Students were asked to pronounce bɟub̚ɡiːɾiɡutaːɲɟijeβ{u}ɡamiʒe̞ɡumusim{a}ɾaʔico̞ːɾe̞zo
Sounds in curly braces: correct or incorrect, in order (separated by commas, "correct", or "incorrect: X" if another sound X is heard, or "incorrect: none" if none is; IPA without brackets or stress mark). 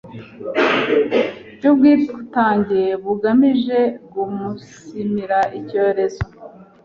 correct, incorrect: i